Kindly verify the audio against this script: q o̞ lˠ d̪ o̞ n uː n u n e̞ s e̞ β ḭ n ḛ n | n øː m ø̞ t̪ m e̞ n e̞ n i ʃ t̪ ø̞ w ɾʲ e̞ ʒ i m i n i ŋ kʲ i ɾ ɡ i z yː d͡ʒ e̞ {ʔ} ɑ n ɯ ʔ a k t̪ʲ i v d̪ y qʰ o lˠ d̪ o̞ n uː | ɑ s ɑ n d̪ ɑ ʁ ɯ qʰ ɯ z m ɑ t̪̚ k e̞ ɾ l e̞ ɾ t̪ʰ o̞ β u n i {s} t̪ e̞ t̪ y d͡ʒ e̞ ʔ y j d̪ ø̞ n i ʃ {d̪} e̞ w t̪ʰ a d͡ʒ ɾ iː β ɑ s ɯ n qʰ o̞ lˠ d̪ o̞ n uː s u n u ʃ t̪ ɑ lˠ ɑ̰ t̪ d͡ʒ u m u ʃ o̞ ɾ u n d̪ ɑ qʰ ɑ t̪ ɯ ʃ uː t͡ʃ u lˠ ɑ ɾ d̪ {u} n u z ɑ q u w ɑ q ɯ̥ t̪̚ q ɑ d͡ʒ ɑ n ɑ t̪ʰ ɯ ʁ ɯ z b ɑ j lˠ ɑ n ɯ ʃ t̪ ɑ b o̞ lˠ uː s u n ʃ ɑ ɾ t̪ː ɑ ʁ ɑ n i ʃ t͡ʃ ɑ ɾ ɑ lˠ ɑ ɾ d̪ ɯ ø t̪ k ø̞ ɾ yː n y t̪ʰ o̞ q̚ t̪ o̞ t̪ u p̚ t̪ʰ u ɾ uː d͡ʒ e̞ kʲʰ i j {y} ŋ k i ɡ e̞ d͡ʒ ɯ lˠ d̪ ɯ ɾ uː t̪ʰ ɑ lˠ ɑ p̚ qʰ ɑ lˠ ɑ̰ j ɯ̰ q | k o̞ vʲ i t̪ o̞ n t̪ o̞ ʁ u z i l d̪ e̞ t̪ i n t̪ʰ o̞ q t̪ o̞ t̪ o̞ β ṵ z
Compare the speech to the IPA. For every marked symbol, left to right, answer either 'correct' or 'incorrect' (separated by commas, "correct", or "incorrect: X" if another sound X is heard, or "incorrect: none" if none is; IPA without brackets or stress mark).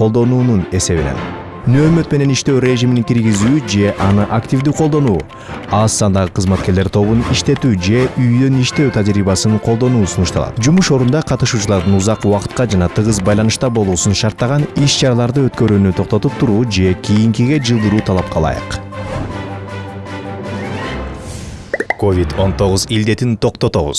correct, incorrect: ʃ, incorrect: t̪, incorrect: ɯ, incorrect: i